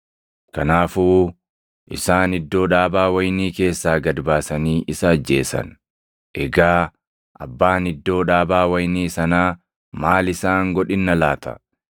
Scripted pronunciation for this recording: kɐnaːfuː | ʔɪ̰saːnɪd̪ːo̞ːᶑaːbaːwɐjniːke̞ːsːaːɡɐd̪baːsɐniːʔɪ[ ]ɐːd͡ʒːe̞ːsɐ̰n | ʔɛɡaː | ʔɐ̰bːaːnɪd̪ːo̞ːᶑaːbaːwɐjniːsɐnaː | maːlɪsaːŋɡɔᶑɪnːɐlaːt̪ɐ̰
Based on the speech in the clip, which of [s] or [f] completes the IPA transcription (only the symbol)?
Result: s